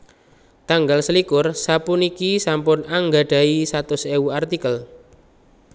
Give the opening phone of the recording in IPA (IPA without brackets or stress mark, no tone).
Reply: t̪